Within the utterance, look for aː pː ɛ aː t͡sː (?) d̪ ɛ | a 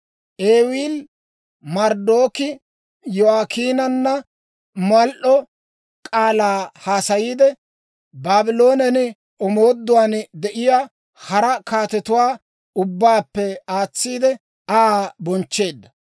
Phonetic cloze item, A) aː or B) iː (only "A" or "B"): B